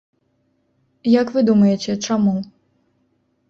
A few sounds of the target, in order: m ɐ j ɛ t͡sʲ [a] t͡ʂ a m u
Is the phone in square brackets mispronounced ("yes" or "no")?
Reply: yes